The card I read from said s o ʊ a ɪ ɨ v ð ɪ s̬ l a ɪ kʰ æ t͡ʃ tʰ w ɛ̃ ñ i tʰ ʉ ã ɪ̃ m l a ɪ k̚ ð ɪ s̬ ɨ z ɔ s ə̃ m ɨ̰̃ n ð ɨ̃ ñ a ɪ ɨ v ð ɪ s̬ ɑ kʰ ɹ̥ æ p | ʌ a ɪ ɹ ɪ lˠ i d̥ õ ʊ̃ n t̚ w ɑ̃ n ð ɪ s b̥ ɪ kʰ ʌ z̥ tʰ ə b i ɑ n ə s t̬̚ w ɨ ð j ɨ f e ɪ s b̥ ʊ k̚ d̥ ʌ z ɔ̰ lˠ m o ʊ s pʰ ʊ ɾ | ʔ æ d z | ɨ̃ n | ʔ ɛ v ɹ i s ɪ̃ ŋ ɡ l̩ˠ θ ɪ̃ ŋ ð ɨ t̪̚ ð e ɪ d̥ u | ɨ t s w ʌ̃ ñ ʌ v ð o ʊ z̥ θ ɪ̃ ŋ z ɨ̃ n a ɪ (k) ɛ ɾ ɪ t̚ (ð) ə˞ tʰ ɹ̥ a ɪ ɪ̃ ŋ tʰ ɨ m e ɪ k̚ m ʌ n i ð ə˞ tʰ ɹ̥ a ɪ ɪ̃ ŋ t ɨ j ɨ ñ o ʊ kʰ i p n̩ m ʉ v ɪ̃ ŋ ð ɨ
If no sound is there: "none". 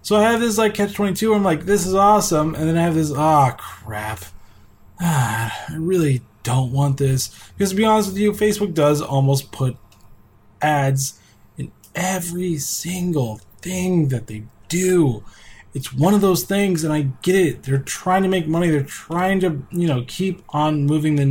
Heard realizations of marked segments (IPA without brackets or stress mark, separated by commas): ɡ, ð